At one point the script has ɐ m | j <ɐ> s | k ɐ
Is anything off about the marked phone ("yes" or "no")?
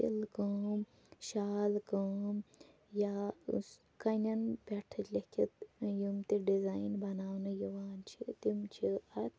yes